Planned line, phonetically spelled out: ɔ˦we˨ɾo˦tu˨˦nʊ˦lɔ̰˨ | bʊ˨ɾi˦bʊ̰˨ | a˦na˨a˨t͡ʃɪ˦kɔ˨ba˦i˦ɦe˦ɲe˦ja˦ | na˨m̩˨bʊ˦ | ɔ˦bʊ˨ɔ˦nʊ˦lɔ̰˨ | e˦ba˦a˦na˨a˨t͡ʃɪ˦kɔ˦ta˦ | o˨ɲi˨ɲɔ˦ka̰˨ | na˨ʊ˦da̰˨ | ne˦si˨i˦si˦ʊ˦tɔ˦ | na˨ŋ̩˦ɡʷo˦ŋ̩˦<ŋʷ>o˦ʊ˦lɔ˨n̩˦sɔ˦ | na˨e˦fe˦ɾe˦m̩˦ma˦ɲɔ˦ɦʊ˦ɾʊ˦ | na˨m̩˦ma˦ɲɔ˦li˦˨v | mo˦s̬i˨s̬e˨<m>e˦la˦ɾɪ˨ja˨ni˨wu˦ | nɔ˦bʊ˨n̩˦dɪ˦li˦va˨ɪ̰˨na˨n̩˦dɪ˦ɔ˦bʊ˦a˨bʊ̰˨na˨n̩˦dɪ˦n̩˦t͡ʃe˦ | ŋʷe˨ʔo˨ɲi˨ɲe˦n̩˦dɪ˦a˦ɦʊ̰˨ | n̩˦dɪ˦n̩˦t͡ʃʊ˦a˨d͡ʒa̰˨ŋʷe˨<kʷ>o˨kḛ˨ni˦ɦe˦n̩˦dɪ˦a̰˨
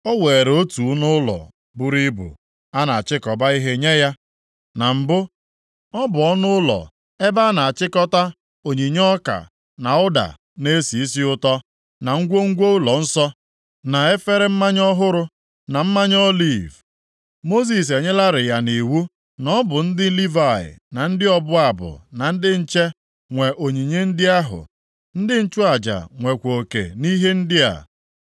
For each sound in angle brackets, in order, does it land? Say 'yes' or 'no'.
no, no, yes

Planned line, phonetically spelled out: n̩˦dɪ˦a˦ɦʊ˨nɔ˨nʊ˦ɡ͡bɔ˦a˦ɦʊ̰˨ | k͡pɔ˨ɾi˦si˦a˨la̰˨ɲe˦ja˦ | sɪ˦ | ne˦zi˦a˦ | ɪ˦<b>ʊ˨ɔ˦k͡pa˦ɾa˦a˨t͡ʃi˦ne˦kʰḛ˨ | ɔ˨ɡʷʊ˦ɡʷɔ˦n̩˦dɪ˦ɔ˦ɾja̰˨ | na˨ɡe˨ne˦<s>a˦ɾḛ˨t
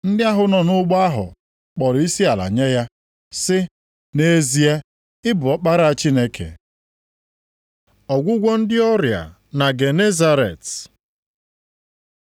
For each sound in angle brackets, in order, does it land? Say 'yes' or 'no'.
yes, no

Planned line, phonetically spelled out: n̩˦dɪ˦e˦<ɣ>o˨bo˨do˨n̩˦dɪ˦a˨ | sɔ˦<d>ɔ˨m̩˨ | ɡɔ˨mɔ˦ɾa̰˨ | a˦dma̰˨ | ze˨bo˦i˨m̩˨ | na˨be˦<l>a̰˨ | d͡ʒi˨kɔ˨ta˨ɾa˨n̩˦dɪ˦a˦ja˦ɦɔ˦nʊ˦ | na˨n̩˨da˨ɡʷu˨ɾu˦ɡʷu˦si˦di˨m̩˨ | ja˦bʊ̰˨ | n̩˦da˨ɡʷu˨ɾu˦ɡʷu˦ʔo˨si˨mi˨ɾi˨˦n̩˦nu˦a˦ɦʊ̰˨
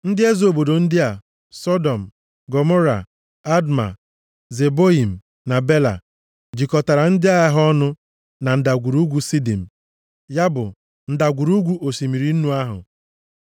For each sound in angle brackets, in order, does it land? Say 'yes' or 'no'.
no, yes, yes

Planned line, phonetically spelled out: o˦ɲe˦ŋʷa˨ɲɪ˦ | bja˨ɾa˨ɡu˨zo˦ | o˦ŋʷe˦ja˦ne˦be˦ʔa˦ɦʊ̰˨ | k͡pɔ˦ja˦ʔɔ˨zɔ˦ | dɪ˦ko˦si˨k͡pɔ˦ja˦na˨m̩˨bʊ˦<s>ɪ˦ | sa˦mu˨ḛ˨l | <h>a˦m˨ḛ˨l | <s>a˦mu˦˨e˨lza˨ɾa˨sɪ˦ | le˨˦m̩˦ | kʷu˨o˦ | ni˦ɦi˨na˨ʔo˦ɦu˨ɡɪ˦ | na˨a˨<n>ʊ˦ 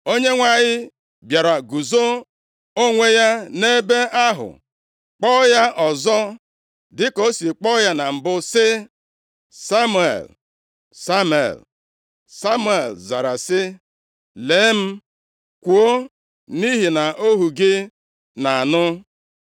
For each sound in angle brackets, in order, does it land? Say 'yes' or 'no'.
yes, no, yes, yes

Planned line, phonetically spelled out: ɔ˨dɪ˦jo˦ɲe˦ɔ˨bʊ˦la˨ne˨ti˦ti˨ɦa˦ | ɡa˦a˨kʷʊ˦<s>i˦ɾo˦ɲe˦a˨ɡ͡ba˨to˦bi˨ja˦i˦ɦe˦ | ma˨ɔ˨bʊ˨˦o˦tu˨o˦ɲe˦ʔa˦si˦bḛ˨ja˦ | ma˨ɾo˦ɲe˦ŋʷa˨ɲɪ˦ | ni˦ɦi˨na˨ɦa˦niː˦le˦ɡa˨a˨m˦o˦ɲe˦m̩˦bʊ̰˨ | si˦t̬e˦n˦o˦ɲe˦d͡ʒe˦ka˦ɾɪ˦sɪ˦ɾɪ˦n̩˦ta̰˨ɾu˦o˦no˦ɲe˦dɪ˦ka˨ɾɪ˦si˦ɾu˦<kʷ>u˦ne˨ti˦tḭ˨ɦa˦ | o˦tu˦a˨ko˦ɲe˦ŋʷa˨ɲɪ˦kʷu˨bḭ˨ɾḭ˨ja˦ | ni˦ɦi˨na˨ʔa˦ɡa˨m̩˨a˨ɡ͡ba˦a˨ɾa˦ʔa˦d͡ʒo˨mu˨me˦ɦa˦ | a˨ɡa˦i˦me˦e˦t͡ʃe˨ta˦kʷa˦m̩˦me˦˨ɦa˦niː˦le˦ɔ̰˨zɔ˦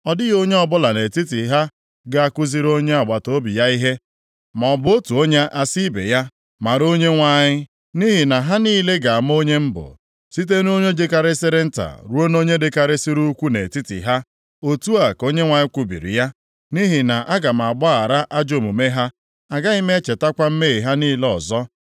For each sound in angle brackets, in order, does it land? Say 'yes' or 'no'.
no, yes

